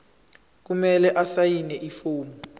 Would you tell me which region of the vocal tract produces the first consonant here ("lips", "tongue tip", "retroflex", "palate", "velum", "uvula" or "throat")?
velum